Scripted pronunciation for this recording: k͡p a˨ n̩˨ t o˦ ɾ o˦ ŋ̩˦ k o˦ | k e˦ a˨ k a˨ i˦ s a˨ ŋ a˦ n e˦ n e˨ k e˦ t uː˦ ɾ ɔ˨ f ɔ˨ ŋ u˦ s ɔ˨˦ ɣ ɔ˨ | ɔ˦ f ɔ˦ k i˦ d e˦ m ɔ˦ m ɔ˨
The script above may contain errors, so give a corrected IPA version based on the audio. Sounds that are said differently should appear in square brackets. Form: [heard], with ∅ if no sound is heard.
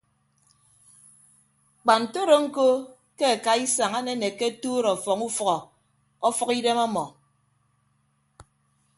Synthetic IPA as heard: k͡p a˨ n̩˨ t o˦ ɾ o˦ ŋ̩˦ k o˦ | k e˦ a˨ k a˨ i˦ s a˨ ŋ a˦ n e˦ n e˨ k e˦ t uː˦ ɾ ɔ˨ f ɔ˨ ŋ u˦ [f] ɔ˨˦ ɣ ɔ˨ | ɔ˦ f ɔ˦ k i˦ d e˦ m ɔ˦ m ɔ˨

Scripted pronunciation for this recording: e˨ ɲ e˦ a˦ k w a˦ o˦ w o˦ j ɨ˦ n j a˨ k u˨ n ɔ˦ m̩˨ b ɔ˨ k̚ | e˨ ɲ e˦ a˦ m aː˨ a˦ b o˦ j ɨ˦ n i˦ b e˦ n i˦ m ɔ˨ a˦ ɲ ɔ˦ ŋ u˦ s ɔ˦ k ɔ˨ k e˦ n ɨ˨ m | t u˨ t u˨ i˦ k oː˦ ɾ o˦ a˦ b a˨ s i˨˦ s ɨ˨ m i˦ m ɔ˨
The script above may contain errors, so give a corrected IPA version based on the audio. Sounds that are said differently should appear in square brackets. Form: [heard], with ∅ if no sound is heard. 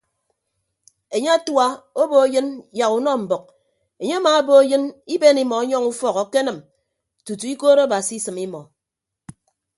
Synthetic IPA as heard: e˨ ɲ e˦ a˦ [t] w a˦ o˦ [b] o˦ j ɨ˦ n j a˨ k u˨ n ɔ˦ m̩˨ b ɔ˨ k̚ | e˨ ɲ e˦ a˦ m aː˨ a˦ b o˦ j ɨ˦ n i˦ b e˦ n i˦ m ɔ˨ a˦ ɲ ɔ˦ ŋ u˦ [f] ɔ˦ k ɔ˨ k e˦ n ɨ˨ m | t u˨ t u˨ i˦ k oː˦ ɾ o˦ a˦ b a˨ s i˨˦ s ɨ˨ m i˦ m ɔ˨

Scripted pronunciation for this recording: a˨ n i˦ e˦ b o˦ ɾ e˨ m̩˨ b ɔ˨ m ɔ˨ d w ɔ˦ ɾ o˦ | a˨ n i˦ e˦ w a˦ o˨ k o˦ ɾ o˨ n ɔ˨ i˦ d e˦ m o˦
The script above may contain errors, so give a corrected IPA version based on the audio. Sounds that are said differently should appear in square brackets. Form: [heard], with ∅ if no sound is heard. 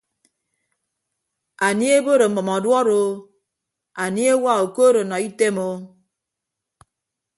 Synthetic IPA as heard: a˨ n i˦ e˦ b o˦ ɾ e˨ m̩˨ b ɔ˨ m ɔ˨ d w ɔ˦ ɾ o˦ | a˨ n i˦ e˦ w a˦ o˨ k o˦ ɾ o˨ n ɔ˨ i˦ [t] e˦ m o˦

